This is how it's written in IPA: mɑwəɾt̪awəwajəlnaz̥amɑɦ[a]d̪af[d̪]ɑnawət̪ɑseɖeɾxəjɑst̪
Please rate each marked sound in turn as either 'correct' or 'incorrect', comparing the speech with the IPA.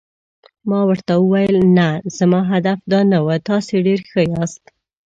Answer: correct, correct

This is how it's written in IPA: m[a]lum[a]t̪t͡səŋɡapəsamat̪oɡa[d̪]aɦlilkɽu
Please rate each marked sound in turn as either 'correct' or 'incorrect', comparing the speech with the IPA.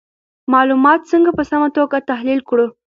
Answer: incorrect, incorrect, incorrect

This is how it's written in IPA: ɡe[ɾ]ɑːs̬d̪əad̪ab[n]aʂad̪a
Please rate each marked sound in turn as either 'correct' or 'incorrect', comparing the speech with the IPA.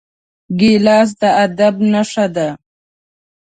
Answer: incorrect, correct

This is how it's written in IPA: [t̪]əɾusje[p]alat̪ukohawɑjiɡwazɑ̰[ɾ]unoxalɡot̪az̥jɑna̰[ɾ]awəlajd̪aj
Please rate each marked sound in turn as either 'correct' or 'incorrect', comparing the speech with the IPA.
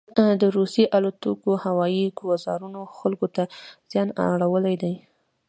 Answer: incorrect, incorrect, correct, incorrect

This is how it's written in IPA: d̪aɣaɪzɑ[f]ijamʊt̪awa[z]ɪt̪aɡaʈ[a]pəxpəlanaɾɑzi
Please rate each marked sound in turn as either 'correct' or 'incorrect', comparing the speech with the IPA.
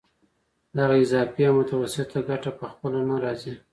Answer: correct, incorrect, correct

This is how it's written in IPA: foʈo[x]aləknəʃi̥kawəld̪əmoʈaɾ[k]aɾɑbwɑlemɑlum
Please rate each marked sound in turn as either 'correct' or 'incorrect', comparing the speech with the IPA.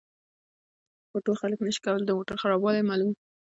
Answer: correct, incorrect

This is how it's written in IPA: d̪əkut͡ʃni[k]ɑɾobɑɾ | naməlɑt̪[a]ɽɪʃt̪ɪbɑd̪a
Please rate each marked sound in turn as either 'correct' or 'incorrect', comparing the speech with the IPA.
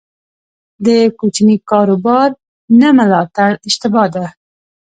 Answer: correct, correct

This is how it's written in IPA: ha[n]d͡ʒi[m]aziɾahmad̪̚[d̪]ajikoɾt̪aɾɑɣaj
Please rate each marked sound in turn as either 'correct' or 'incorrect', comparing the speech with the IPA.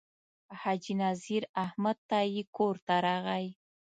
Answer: incorrect, incorrect, incorrect

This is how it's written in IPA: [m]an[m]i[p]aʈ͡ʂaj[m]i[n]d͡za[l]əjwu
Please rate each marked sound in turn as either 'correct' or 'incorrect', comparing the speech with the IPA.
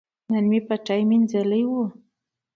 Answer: incorrect, correct, correct, correct, correct, correct

